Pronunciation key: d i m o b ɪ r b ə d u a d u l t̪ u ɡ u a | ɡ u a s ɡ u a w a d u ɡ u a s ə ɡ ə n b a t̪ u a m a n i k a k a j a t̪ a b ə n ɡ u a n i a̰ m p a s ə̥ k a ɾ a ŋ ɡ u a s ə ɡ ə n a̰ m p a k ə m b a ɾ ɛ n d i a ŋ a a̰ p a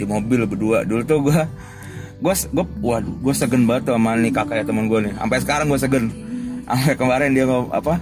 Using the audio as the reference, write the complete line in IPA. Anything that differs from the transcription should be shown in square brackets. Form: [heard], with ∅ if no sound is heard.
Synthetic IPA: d i m o b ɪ [l] b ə d u a d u l t̪ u ɡ u a | ɡ u a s ɡ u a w a d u ɡ u a s ə ɡ ə n b a t̪ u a m a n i k a k a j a t̪ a [m] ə n ɡ u a n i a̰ m p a s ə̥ k a ɾ a ŋ ɡ u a s ə ɡ ə n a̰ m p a k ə m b a ɾ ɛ n d i a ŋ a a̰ p a